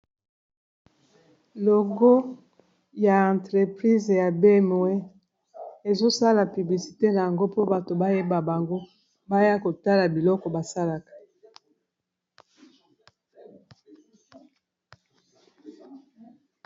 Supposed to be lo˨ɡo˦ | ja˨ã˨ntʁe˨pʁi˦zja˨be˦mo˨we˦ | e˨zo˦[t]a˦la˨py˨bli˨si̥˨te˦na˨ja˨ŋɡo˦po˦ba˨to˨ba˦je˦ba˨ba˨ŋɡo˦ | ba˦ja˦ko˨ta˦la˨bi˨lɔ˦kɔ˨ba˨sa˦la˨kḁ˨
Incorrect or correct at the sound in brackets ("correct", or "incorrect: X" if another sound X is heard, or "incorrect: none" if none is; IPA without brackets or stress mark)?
incorrect: s